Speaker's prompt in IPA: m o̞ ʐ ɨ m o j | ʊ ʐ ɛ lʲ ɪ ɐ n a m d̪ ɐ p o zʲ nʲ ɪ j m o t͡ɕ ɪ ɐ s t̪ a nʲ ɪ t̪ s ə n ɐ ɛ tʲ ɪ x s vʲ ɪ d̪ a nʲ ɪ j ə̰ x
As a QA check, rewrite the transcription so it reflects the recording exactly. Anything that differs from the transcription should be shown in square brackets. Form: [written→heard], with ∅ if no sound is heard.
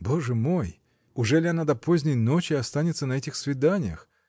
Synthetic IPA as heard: [m→b] o̞ ʐ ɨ m o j | ʊ ʐ ɛ lʲ ɪ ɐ n a [m→∅] d̪ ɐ p o zʲ nʲ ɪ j [m→n] o t͡ɕ ɪ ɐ s t̪ a nʲ ɪ t̪ s ə n ɐ ɛ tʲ ɪ x s vʲ ɪ d̪ a nʲ ɪ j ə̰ x